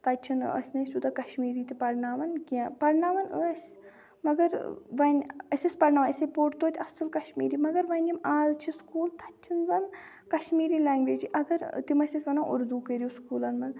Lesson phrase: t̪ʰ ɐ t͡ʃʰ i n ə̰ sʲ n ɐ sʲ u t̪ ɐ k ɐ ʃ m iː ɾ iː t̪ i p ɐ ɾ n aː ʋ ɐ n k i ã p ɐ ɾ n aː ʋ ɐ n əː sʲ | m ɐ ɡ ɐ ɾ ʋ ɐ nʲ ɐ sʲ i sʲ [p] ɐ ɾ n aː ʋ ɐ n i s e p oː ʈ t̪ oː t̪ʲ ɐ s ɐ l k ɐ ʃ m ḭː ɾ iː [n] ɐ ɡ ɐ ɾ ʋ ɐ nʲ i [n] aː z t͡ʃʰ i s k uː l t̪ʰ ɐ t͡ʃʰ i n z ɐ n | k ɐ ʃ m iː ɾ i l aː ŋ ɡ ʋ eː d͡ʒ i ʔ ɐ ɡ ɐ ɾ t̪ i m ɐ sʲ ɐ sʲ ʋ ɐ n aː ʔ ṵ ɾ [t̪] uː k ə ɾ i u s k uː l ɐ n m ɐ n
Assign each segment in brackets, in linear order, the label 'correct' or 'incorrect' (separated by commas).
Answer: correct, incorrect, incorrect, incorrect